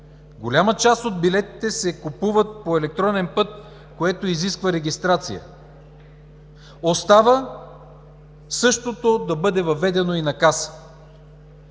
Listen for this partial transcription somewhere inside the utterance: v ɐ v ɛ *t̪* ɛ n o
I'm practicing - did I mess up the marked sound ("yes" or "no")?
yes